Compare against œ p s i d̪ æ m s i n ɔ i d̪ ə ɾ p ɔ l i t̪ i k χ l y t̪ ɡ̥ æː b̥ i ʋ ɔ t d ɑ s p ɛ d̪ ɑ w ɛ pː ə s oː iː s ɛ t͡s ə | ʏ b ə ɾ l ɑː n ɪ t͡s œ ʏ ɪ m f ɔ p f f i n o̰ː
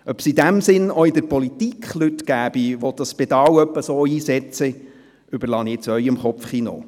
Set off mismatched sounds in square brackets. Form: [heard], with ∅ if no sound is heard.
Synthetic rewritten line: œ p s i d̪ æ m s [ɪ] n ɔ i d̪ ə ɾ p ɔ l i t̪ i k χ l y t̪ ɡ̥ æː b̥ i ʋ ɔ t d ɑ s p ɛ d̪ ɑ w [œ] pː ə s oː iː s ɛ t͡s ə | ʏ b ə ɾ l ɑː n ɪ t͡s œ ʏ ɪ m [χ] ɔ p f [χ] i n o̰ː